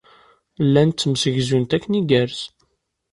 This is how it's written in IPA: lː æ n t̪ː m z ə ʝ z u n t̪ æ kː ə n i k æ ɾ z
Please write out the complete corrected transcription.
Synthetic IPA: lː æ n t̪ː m s ə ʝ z u n t̪ æ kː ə n i ɡ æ ɾ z

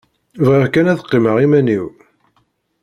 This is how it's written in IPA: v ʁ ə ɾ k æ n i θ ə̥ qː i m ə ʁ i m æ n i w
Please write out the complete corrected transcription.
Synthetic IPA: v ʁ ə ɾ k æ n æ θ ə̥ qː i m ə ʁ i m æ n i w

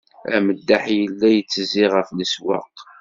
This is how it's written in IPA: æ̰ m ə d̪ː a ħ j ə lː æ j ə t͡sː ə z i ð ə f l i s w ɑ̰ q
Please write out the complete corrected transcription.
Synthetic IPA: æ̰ m ə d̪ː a ħ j ə lː æ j ə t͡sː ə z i ʁ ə f l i s w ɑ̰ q

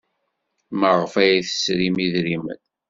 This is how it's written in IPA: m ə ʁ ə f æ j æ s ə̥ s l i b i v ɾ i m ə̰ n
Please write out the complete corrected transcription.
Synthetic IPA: m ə ʁ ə f æ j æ θ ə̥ s ɾ i m i ð ɾ i m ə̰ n

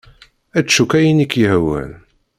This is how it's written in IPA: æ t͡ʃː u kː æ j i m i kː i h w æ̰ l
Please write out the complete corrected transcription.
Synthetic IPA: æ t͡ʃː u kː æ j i n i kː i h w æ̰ l

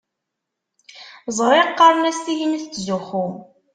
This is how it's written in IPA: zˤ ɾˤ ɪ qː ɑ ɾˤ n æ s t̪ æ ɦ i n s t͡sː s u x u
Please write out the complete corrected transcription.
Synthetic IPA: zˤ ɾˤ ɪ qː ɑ ɾˤ n æ s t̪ i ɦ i n θ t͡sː z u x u

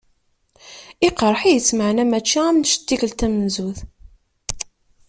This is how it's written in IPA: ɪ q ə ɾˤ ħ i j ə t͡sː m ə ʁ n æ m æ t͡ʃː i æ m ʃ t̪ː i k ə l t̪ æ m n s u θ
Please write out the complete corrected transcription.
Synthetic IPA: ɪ q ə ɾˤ ħ i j ə t͡sː m ə ʕ n æ m æ t͡ʃː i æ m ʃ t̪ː i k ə l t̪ æ m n z u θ

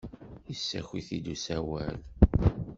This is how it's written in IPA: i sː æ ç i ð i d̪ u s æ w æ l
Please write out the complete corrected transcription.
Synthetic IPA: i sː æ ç i θ i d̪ u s æ w æ l

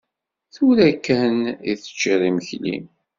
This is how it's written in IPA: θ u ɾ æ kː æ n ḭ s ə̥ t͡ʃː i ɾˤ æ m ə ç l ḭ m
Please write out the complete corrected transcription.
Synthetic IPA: θ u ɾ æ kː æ n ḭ θ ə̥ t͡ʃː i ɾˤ i m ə ç l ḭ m

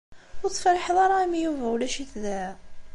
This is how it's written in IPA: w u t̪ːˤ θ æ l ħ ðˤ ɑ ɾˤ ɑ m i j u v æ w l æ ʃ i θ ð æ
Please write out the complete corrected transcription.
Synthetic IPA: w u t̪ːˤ f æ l ħ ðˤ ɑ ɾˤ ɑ m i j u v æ w l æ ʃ i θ ð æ

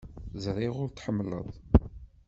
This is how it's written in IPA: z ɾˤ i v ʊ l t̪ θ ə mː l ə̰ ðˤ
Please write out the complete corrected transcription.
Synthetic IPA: z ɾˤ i ʁ ʊ ɾ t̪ ħ ə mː l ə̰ ðˤ

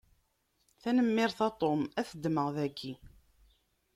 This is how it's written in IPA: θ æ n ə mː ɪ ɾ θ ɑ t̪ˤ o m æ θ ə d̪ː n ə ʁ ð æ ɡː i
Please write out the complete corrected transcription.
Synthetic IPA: θ æ n ə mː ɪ ɾ θ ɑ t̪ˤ o m æ θ ə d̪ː m ə ʁ ð æ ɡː i

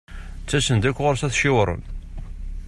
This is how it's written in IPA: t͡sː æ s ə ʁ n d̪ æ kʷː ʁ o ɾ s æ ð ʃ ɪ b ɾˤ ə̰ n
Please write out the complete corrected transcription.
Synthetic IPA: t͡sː æ s ə n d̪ æ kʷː ʁ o ɾ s æ θ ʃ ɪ w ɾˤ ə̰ n

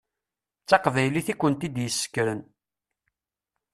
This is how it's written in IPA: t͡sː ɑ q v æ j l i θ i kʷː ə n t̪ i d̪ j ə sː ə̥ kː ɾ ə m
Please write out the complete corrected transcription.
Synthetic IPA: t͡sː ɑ q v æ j l i θ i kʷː ə n t̪ i d̪ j ə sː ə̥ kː ɾ ə n

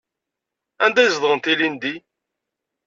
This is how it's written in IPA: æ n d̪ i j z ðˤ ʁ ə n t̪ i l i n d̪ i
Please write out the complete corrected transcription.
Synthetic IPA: æ n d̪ æ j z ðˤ ʁ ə n t̪ i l i n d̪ i

